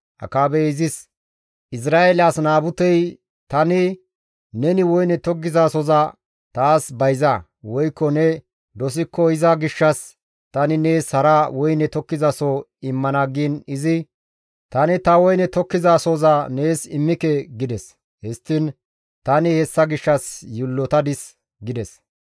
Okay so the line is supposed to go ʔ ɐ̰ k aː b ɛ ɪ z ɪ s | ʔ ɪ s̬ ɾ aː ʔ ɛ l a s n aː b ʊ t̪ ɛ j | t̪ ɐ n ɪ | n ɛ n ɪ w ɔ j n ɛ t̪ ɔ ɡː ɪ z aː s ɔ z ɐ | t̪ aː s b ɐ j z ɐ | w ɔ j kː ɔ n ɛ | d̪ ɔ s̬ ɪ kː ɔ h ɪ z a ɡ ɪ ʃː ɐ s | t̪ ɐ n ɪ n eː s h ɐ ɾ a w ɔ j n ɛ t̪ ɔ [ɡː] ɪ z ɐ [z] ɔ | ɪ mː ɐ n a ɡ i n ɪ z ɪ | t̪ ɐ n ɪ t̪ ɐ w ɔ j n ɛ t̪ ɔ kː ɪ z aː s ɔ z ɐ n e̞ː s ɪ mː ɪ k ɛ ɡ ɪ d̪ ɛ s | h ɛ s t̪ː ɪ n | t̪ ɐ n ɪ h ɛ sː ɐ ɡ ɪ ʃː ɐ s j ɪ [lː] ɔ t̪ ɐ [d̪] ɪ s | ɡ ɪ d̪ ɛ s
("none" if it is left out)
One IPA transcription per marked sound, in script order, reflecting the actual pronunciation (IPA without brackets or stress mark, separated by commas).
kː, s, lː, d̪